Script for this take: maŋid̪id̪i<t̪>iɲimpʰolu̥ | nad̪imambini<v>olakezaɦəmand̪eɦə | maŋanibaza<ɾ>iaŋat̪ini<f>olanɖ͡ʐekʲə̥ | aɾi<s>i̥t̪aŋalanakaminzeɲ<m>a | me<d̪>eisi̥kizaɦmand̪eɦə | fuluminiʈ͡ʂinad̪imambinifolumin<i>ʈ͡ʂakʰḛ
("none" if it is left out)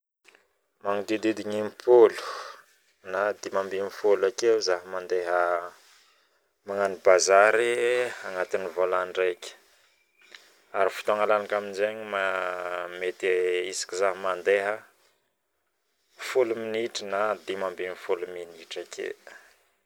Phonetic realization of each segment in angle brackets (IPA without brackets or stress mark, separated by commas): d̪, f, ɾ, v, f, m, t̪, i